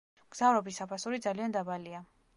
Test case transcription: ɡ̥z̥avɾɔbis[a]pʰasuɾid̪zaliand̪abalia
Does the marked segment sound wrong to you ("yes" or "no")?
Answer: no